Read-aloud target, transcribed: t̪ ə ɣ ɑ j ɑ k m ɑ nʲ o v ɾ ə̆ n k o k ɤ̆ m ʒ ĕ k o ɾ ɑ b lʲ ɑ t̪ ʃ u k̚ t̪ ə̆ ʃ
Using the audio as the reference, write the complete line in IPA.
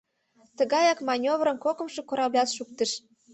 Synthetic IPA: t̪ ə ɣ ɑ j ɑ k m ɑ nʲ o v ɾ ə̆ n k o k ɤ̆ m ʃ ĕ k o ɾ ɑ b lʲ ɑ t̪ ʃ u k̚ t̪ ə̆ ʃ